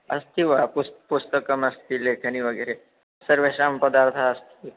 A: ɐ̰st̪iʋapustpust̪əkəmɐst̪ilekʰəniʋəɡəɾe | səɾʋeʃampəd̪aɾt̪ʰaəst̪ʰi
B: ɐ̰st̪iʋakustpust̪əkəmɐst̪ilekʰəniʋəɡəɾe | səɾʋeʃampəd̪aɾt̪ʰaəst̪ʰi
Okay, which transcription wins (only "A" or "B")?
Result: A